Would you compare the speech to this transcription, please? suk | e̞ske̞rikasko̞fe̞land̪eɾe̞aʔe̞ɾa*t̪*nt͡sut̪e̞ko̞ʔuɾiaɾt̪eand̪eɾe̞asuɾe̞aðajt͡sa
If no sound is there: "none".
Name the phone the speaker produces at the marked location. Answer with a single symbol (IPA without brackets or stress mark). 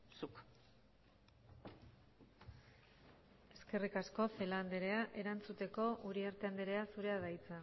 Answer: none